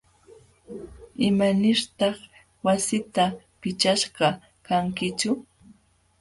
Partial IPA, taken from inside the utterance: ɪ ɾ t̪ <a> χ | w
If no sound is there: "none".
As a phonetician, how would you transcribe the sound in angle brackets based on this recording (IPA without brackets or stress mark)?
ɑ